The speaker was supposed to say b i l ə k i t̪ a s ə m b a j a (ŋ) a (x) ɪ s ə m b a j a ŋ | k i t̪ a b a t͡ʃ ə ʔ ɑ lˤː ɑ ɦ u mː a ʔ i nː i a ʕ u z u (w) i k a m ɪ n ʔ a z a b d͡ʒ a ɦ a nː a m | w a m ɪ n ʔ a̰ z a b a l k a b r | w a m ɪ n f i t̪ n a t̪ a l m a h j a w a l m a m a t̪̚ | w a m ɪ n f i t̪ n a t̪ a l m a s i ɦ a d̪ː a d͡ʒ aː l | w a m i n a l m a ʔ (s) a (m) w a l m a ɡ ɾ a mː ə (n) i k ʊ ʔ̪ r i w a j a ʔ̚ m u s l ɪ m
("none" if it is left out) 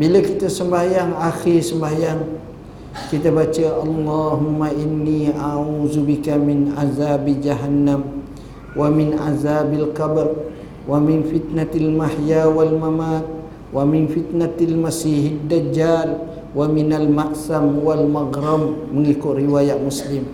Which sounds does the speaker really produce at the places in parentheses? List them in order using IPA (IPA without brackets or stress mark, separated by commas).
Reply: ŋ, x, b, s, m, ŋ